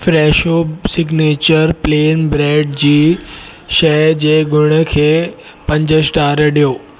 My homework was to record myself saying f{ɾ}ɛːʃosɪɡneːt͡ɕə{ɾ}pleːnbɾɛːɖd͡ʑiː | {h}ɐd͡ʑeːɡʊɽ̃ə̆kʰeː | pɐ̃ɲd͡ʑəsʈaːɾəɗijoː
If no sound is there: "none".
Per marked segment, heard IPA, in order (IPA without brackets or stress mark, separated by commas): ɾ, ɾ, ʃ